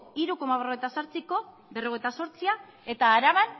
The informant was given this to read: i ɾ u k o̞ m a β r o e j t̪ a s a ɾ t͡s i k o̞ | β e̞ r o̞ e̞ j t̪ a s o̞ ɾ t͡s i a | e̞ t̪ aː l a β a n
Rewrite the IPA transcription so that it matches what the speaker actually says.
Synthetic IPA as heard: i ɾ u k o̞ m a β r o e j t̪ a s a ɾ t͡s i k o̞ | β e̞ r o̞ e̞ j t̪ a s o̞ ɾ t͡s i a | e̞ t̪ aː ɾ a β a n